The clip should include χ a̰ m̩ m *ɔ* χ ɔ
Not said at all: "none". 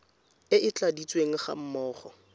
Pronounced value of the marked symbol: ɔː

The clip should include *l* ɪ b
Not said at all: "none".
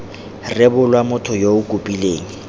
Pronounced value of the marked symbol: r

